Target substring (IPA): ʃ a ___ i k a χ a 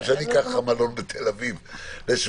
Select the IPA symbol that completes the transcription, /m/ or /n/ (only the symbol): n